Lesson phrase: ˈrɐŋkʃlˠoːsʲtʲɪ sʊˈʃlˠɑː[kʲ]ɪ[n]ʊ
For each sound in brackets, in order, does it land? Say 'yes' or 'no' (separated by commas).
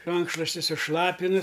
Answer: no, yes